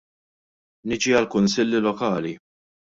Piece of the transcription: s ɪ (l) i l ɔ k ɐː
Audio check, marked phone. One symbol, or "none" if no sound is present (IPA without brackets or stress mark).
lː